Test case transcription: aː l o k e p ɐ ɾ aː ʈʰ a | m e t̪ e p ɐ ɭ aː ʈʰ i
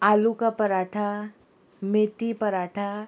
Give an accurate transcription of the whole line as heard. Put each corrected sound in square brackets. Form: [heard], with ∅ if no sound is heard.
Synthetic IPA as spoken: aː l [u] k [a] p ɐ ɾ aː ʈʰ a | m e t̪ [i] p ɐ [ɾ] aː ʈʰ [a]